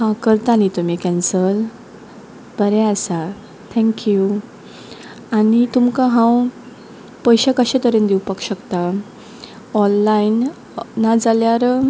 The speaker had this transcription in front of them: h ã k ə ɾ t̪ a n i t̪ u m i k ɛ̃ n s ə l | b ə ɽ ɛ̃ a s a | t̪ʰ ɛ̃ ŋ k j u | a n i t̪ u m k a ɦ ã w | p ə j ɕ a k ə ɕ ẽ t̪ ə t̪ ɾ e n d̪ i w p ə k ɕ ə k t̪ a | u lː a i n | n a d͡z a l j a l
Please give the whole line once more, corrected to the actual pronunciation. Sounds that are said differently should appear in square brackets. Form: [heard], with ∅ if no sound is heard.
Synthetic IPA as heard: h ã k ə ɾ t̪ a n i t̪ u m i k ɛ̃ n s ə l | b ə [ɾ] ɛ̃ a s a | t̪ʰ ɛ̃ ŋ k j u | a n i t̪ u m k a ɦ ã w | p ə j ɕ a k ə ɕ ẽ t̪ ə [∅] ɾ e n d̪ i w p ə k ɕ ə k t̪ a | [ɔ] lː a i n | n a d͡z a l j a [ɾ]